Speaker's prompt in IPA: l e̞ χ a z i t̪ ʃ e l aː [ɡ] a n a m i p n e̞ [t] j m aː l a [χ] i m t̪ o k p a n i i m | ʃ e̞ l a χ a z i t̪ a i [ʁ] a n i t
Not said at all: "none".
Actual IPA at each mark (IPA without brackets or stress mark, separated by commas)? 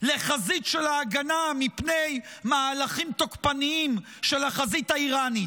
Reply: ɡ, none, χ, ʁ